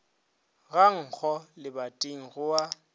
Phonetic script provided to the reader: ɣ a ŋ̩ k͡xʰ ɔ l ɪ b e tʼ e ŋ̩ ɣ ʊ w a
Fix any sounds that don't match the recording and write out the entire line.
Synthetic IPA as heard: ɣ a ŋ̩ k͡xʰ ɔ l ɪ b a tʼ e ŋ̩ ɣ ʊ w a